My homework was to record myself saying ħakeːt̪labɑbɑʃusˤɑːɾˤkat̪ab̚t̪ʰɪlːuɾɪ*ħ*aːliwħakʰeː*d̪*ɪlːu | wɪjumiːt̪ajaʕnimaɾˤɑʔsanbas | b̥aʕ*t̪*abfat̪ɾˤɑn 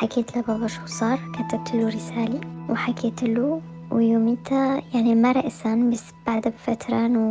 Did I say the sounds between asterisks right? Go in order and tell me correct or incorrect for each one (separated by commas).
incorrect, incorrect, incorrect